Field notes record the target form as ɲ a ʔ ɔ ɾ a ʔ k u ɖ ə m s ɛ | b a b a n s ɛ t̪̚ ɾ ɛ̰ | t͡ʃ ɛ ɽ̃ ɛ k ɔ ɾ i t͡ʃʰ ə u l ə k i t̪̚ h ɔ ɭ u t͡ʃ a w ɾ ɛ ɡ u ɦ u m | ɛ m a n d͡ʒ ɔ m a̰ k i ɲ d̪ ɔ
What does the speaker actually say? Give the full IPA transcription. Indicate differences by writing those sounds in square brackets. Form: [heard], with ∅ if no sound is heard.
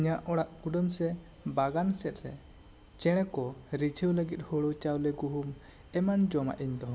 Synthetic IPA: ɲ a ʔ ɔ [ɽ] a ʔ k u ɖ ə m s ɛ | b a [ɡ] a n s ɛ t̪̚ ɾ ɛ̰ | t͡ʃ ɛ ɽ̃ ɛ k ɔ ɾ i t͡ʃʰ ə [w] l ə [ɡ] i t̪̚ h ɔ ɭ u t͡ʃ a w [l] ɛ ɡ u ɦ u m | ɛ m a n d͡ʒ ɔ m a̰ [ʔ] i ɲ d̪ ɔ